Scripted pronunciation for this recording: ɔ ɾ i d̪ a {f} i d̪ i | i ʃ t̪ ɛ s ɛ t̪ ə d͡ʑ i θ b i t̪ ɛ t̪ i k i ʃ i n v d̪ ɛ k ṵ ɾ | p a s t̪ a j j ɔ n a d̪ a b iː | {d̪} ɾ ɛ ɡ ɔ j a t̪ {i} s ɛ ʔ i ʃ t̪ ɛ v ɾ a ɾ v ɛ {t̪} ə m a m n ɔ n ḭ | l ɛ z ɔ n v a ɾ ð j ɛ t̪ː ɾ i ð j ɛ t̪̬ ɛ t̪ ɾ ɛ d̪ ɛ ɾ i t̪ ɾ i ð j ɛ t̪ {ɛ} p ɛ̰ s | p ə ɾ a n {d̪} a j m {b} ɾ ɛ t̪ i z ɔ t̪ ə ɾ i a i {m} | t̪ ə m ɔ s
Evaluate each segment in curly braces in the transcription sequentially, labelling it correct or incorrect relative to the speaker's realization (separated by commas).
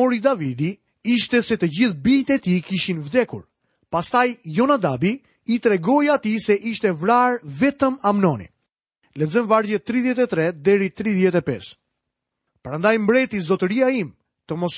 incorrect, incorrect, correct, correct, correct, correct, correct, correct